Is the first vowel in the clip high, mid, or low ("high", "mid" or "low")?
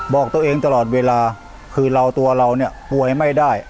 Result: mid